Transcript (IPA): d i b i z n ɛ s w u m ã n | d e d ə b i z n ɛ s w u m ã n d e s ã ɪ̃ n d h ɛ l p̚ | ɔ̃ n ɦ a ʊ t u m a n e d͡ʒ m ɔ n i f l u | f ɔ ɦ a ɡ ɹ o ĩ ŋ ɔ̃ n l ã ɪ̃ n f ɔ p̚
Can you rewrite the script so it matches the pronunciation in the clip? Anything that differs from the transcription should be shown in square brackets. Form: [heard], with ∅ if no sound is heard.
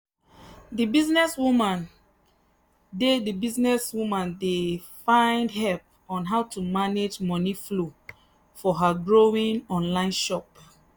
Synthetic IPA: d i b i z n ɛ s w u m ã n | d e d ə b i z n ɛ s w u m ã n d e [f] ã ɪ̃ n d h ɛ l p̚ | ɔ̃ n ɦ a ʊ t u m a n e d͡ʒ m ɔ n i f l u | f ɔ ɦ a ɡ ɹ o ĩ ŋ ɔ̃ n l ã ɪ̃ n [ʃ] ɔ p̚